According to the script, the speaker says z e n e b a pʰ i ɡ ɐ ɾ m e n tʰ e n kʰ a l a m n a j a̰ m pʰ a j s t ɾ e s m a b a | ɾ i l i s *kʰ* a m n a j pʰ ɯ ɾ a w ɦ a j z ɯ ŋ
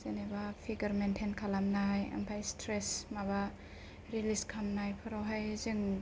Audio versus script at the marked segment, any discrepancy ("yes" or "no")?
no